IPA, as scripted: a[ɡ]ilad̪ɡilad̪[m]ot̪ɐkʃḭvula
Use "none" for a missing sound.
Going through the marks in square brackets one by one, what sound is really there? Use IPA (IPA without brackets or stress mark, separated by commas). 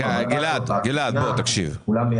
ɡ, b